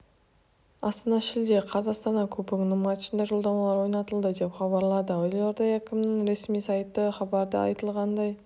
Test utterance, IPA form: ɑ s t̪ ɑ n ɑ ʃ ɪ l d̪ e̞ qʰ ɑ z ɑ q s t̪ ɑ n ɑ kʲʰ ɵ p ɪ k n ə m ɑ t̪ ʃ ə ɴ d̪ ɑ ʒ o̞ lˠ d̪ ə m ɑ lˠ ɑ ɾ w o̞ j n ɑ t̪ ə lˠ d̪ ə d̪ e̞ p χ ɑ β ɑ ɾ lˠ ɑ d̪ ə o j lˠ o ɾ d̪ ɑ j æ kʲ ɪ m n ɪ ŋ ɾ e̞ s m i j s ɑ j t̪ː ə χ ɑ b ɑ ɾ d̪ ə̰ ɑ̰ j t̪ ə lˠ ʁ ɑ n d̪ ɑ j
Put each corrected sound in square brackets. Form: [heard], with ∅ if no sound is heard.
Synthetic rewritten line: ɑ s t̪ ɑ n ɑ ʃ ɪ l d̪ e̞ qʰ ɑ z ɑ q s t̪ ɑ n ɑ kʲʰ ɵ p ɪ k n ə m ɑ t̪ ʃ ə [n] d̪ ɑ ʒ o̞ lˠ d̪ [ɑ] m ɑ lˠ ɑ ɾ w o̞ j n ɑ t̪ ə lˠ d̪ ə d̪ e̞ p χ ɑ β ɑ ɾ lˠ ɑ d̪ ə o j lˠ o ɾ d̪ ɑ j æ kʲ ɪ m n ɪ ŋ ɾ e̞ s m i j s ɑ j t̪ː ə χ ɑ b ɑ ɾ d̪ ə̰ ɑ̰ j t̪ ə lˠ ʁ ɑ n d̪ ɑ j